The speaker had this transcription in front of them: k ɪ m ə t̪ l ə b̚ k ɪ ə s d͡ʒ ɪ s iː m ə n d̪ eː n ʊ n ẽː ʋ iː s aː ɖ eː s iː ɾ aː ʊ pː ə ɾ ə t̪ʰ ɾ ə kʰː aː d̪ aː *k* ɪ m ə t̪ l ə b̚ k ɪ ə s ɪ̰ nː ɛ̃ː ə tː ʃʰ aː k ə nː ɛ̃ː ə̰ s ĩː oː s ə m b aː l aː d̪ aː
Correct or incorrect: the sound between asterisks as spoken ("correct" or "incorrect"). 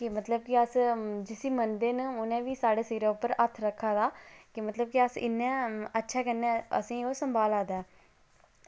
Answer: correct